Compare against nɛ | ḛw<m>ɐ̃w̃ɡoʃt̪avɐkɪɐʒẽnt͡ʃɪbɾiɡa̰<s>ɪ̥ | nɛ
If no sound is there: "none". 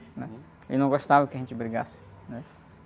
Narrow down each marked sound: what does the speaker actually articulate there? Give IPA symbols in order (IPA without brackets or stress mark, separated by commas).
n, s